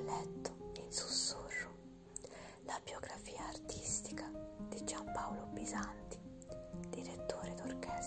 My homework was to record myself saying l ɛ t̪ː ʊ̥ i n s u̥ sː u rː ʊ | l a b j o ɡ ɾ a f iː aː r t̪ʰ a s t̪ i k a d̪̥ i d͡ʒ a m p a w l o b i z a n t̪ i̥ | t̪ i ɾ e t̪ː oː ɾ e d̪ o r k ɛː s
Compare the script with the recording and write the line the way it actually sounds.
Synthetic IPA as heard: l ɛ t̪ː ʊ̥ i n s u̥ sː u rː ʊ | l a b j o ɡ ɾ a f iː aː r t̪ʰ i s t̪ i k a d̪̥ i d͡ʒ a m p a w l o b i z a n t̪ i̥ | d̪ i ɾ e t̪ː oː ɾ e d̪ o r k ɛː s